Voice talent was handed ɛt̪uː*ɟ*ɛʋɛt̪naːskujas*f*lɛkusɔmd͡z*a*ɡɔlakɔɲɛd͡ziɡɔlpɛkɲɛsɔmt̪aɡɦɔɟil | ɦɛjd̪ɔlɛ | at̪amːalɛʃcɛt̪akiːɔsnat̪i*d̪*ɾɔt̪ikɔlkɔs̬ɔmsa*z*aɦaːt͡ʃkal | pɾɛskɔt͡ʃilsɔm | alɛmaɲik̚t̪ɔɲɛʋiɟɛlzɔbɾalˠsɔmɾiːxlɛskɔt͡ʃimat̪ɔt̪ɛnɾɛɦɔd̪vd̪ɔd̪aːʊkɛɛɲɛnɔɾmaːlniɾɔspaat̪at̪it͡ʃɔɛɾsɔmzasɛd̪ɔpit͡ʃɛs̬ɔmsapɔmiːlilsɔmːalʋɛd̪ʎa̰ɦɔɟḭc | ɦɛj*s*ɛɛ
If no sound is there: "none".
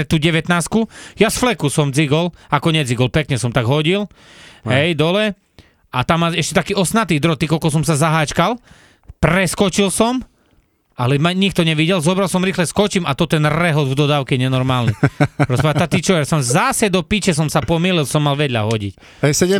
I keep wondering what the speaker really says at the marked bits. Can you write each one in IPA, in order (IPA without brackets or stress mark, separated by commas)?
ɟ, f, i, d̪, z, s